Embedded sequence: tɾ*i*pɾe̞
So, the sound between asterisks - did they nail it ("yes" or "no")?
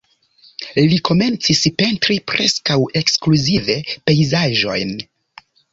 yes